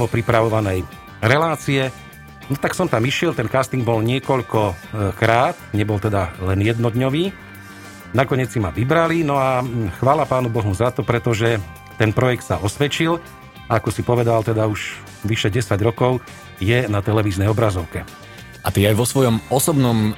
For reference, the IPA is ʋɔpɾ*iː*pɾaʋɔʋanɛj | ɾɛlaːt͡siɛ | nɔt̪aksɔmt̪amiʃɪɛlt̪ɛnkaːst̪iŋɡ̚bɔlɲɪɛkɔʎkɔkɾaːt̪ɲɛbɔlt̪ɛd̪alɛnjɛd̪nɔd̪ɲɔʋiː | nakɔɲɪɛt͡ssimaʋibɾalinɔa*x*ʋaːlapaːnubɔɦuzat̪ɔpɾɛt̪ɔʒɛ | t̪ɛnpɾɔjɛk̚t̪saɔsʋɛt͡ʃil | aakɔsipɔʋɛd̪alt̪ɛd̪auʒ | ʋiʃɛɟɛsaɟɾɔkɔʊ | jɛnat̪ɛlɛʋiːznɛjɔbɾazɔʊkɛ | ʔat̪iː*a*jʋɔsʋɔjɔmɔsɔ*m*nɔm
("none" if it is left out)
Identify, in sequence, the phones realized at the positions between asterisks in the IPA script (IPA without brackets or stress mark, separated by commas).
i, x, a, b